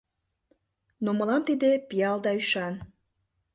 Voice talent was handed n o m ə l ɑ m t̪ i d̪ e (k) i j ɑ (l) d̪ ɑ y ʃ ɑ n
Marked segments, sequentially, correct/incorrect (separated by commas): incorrect, correct